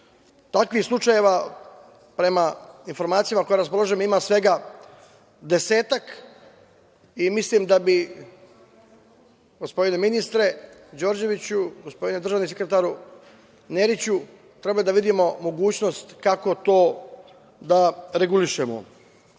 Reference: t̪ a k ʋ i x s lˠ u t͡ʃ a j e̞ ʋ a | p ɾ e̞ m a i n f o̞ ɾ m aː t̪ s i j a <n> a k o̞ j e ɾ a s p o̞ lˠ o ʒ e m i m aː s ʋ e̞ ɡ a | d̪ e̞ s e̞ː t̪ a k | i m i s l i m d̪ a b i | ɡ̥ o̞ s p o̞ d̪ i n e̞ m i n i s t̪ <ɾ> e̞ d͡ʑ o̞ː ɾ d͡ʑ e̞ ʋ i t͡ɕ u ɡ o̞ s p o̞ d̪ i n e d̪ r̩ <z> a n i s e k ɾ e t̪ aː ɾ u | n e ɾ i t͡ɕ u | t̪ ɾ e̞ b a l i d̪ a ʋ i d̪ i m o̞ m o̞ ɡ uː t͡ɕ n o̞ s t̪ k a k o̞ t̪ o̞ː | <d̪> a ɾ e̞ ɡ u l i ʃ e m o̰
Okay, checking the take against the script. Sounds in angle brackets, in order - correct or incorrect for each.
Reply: incorrect, correct, incorrect, correct

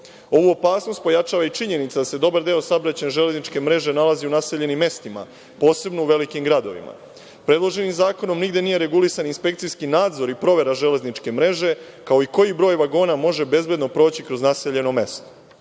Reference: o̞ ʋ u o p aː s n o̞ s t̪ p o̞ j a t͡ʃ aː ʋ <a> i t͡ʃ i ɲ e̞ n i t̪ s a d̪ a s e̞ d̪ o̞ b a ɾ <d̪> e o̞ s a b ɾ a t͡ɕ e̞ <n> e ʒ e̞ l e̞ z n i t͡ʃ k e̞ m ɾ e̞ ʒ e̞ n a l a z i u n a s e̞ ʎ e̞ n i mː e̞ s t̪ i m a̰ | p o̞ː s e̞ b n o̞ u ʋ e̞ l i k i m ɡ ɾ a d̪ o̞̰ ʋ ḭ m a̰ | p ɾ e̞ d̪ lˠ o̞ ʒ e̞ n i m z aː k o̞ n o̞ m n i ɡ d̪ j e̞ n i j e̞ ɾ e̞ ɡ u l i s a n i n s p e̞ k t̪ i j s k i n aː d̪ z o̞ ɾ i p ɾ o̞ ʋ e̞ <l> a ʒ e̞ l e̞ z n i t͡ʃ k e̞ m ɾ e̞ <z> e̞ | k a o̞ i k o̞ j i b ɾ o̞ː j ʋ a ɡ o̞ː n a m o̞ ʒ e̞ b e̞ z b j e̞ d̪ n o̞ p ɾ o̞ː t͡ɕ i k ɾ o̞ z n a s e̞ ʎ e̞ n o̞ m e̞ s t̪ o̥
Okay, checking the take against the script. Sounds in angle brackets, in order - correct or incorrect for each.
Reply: correct, correct, correct, incorrect, incorrect

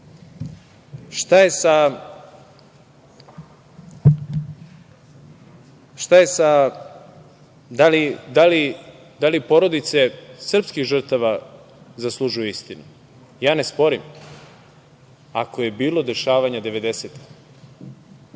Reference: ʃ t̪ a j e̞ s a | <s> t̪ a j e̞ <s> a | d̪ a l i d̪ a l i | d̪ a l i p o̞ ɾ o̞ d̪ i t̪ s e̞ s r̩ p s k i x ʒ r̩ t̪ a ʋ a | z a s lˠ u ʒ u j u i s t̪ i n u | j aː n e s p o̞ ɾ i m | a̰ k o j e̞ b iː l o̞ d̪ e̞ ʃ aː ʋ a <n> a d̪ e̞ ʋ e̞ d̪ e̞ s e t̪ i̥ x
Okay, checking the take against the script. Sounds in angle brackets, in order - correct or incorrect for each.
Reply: incorrect, correct, incorrect

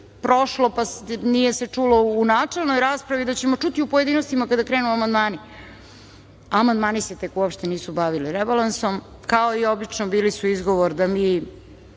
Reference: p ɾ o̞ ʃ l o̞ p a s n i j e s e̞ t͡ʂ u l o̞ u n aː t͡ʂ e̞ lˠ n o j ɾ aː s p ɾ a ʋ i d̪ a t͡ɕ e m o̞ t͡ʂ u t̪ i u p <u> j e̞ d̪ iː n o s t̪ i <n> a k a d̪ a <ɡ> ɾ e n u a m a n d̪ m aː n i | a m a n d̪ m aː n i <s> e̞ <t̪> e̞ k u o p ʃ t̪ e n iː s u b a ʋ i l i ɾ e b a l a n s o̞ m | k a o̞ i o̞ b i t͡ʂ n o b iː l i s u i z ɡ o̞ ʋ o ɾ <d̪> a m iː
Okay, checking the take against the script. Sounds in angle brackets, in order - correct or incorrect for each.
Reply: incorrect, incorrect, incorrect, correct, correct, correct

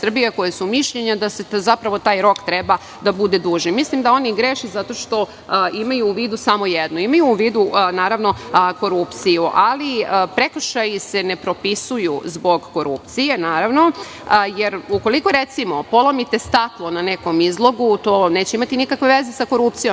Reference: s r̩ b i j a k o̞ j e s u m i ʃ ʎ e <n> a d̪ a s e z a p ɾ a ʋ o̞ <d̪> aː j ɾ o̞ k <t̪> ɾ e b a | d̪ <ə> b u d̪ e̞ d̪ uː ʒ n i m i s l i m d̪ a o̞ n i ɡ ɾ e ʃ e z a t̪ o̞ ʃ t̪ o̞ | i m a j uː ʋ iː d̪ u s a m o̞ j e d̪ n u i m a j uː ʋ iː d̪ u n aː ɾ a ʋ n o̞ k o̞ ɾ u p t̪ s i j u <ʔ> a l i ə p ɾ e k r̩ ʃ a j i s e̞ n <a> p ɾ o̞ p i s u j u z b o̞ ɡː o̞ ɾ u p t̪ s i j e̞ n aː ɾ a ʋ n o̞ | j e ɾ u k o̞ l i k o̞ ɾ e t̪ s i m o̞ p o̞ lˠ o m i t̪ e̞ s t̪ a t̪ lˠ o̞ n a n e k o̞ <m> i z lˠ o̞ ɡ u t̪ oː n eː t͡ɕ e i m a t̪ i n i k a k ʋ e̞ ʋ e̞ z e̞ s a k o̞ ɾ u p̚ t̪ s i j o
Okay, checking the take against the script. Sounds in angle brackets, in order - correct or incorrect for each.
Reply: incorrect, incorrect, correct, incorrect, correct, incorrect, correct

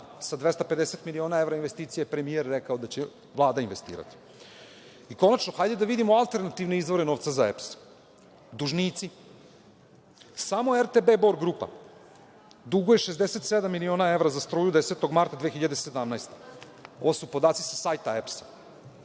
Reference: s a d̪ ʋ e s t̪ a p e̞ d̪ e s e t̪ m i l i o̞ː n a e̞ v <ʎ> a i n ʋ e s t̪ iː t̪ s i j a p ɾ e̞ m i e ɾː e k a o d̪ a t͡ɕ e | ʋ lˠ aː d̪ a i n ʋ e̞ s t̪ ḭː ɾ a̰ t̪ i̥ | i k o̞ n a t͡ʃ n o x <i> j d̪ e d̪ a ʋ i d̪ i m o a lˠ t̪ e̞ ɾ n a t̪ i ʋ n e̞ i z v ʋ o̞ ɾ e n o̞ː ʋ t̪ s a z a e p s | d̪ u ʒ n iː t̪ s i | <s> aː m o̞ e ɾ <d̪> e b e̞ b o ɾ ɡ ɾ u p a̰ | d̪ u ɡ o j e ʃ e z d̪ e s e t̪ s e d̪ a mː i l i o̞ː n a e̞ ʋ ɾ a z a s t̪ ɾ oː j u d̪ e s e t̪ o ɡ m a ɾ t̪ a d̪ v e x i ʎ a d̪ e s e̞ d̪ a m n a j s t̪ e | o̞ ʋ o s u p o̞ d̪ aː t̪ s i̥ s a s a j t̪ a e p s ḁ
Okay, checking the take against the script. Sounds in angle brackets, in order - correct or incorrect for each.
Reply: incorrect, incorrect, correct, incorrect

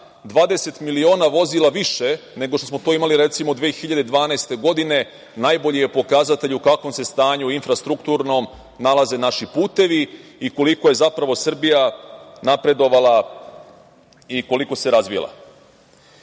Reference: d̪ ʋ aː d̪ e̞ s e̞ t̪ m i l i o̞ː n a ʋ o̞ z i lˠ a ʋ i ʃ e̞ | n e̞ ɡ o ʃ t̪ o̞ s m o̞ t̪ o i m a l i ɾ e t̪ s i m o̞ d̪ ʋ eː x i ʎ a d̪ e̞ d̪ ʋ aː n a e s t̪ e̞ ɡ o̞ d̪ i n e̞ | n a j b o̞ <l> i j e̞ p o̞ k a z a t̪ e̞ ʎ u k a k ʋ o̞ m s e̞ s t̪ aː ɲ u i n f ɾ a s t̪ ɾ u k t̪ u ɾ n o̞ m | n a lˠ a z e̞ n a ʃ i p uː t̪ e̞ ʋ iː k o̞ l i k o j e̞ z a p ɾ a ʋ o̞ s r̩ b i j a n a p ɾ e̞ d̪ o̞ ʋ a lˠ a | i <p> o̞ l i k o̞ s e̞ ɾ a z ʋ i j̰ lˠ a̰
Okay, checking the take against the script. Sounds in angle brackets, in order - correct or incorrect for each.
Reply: incorrect, incorrect

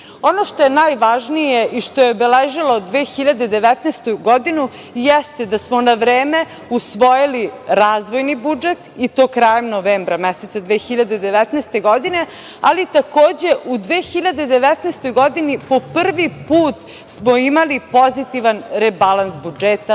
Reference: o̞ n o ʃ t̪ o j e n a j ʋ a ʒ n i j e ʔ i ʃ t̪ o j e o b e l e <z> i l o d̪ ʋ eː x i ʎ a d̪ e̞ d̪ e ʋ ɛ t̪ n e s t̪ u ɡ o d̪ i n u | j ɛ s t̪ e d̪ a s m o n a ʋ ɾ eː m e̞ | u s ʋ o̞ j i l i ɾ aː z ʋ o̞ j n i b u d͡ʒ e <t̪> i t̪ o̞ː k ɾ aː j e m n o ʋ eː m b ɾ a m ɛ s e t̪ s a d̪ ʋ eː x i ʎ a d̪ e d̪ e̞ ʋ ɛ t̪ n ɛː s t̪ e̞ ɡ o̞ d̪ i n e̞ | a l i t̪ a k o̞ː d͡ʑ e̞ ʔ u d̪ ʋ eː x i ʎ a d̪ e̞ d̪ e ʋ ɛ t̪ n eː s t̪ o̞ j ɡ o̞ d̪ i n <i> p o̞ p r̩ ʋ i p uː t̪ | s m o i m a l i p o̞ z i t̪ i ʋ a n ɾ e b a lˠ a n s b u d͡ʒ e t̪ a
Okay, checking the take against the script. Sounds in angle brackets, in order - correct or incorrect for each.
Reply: incorrect, correct, correct

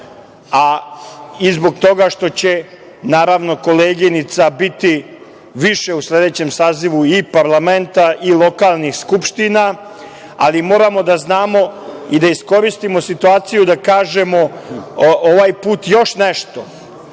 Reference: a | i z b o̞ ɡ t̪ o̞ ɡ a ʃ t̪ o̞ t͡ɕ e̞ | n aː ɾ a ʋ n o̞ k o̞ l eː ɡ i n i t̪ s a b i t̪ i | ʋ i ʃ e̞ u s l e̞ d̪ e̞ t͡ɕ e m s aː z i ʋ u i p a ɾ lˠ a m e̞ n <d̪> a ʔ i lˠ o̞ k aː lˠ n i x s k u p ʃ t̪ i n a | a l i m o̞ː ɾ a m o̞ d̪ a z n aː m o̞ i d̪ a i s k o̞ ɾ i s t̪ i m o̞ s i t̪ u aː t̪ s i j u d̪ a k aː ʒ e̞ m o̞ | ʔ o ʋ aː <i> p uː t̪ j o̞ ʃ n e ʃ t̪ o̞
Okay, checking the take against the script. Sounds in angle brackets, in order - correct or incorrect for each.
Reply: incorrect, incorrect

